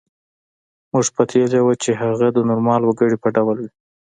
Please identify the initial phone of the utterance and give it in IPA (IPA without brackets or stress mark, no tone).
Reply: m